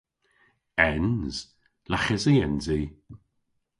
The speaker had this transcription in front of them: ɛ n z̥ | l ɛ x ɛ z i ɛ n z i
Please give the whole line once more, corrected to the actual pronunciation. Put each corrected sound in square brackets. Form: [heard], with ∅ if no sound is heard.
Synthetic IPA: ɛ n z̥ | l [a] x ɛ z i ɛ n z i